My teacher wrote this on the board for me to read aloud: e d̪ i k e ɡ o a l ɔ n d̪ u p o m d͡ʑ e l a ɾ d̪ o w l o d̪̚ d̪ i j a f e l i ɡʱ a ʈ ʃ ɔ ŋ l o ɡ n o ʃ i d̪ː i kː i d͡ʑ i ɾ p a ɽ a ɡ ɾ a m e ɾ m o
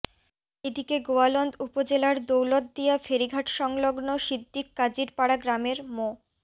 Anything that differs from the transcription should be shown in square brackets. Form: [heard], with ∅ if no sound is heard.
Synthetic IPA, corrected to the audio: e d̪ i k e ɡ o a l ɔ n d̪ u p o [∅] d͡ʑ e l a ɾ d̪ o w l o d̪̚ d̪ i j a f e [ɾ] i ɡʱ a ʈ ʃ ɔ ŋ l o ɡ n o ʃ i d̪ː i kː [a] d͡ʑ i ɾ p a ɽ a ɡ ɾ a m e ɾ m o